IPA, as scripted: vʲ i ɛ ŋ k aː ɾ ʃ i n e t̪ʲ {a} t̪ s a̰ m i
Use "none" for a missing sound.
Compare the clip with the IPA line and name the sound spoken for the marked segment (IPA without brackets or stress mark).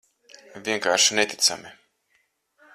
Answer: i